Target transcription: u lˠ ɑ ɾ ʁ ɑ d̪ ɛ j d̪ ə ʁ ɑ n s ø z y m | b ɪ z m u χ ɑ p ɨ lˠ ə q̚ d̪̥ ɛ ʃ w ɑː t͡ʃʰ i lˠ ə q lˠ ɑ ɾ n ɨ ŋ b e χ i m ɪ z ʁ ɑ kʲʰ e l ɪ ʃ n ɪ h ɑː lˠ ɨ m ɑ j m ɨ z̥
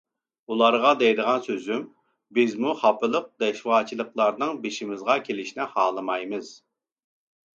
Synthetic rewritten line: u lˠ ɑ ɾ ʁ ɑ d̪ ɛ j d̪ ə ʁ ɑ n s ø z y m | b ɪ z m u χ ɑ p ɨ lˠ ə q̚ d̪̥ ɛ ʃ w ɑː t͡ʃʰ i lˠ ə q lˠ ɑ ɾ n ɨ ŋ b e ʃ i m ɪ z ʁ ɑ kʲʰ e l ɪ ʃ n ɪ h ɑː lˠ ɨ m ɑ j m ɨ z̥